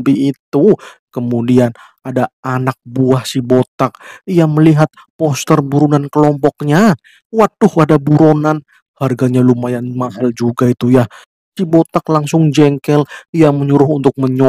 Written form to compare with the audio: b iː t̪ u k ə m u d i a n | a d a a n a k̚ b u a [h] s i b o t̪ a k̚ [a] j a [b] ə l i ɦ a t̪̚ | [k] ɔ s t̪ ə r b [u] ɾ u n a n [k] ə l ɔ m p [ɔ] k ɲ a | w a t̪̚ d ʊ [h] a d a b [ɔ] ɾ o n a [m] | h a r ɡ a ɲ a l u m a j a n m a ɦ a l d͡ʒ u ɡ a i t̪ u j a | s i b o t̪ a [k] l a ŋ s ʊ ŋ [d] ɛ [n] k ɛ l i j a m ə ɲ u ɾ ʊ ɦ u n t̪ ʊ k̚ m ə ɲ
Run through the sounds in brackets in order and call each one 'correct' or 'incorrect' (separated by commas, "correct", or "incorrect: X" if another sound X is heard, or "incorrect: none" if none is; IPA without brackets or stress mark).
correct, incorrect: i, incorrect: m, incorrect: p, correct, correct, correct, correct, incorrect: u, incorrect: n, correct, incorrect: d͡ʒ, incorrect: ŋ